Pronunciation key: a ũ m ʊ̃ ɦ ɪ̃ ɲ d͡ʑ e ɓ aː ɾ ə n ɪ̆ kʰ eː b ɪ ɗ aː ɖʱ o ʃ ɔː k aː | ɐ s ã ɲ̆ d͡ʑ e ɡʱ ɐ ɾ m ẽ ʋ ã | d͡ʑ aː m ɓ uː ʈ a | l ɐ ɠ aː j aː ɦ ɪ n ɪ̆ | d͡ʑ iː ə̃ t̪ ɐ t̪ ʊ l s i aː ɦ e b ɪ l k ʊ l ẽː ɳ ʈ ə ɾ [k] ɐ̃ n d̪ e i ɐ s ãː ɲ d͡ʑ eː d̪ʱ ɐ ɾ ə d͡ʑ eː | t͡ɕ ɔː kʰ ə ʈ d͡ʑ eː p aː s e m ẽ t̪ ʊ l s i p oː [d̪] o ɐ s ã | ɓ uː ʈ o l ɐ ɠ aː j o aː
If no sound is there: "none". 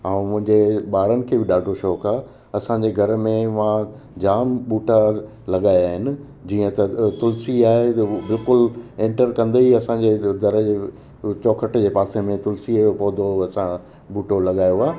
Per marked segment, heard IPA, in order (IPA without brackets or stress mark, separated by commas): k, d̪